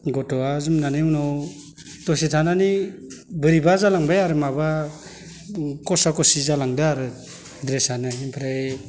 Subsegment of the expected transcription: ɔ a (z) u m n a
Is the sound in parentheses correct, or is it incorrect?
correct